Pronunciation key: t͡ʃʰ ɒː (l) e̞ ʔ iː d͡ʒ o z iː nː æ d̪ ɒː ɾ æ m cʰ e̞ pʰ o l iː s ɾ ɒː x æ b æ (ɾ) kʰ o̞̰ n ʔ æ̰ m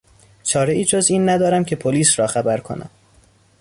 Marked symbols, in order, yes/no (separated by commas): no, yes